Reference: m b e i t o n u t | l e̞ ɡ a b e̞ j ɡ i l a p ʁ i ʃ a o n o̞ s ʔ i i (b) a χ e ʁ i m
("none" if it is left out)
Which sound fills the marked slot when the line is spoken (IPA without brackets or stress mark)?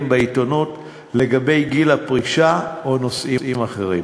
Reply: m